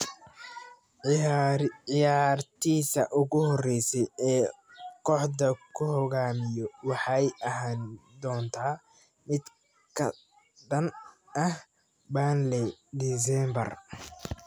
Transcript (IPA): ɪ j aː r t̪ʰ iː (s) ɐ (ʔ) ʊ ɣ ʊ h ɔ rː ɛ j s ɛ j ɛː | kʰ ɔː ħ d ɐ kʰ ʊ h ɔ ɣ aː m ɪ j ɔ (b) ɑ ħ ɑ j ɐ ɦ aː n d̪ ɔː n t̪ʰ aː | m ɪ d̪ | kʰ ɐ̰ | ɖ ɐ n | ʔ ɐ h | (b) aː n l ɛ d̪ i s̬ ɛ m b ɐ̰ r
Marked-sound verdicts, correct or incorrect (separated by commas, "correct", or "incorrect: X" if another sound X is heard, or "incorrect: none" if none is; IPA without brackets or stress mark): correct, correct, incorrect: w, correct